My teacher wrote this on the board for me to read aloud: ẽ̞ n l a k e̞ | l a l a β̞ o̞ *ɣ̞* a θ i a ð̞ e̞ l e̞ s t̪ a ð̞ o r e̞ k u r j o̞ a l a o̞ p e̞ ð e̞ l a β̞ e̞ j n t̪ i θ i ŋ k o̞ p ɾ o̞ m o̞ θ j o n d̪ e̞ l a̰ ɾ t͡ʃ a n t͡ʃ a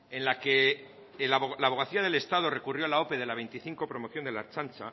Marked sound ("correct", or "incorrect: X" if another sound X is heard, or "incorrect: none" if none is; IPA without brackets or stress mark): correct